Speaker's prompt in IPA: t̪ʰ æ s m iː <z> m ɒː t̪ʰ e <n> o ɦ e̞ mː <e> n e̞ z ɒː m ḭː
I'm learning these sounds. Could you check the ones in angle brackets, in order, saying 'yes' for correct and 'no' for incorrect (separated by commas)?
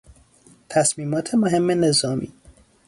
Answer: no, no, yes